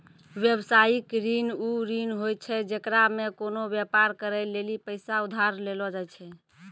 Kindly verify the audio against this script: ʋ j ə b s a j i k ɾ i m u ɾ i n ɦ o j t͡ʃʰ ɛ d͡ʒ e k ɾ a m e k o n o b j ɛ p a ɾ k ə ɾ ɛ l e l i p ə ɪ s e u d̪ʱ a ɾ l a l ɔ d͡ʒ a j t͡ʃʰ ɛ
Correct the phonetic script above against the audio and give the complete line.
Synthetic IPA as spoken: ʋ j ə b s a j i k ɾ i n u ɾ i n ɦ o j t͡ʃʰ ɛ d͡ʒ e k ɾ a m e k o n o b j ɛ p a ɾ k ə ɾ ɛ l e l i p ə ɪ s a u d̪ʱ a ɾ l e l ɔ d͡ʒ a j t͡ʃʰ ɛ